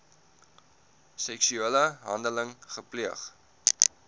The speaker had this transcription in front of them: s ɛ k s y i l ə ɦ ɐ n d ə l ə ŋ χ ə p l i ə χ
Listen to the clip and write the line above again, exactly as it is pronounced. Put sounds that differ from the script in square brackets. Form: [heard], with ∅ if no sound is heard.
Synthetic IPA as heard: s ɛ k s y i l ə ɦ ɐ n d ə l ə ŋ χ ə p l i ə χ